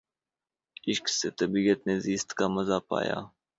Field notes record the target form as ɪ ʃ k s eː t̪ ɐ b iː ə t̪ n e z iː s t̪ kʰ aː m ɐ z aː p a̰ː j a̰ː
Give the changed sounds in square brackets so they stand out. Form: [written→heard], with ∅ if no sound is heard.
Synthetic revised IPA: ɪ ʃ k s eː t̪ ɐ b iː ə t̪ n e z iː s t̪ [kʰ→k] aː m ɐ z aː p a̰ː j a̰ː